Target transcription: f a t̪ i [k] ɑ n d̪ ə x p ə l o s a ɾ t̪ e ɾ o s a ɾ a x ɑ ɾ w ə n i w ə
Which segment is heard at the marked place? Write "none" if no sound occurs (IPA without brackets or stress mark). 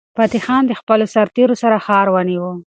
x